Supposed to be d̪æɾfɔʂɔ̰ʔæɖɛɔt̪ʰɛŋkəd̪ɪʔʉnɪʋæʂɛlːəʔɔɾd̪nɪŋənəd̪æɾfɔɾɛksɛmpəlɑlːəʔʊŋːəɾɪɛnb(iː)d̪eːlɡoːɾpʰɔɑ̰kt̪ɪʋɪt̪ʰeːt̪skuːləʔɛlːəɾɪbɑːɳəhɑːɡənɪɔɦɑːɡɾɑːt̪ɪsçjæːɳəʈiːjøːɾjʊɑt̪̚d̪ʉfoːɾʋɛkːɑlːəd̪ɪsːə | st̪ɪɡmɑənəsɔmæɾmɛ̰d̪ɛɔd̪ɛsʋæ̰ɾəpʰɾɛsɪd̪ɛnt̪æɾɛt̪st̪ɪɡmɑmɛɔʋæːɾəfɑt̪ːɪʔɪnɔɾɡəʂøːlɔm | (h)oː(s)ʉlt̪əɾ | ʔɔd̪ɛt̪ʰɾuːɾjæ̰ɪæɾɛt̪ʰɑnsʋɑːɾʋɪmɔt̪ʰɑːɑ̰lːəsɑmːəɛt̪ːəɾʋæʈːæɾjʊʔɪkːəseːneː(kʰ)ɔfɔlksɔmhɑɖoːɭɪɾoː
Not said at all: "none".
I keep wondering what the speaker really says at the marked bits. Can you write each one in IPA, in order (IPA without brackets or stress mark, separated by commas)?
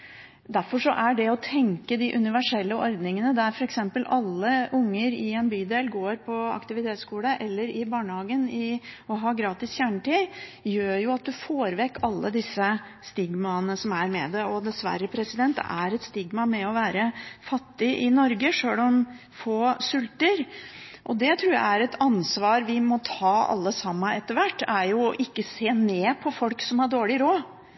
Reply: yː, f, s, pʰ